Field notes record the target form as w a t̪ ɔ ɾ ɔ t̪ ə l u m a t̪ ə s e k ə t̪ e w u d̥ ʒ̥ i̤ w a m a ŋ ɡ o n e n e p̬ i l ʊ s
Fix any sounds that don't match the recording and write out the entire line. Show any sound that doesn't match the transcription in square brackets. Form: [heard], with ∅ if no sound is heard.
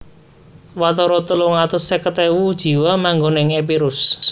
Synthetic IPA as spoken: w a t̪ ɔ ɾ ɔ t̪ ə l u [ŋ] a t̪ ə s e k ə t̪ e w u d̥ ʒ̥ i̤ w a m a ŋ ɡ o n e [ŋ] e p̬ i [ɾ] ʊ s